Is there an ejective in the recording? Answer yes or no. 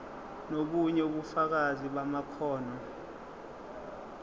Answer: no